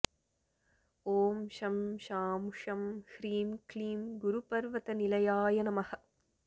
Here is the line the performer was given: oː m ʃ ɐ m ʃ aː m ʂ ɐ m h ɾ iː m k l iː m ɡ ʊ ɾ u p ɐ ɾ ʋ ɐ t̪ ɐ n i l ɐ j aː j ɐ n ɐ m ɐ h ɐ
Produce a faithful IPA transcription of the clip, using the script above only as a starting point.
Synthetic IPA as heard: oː m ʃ ɐ m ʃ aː m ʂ ɐ m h ɾ iː m k l iː m ɡ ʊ ɾ u p ɐ ɾ ʋ ɐ t̪ ɐ n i l ɐ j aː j ɐ n ɐ m ɐ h ɐ